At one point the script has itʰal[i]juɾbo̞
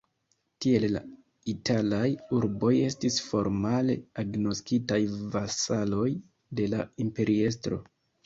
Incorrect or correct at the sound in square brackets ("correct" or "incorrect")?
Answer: incorrect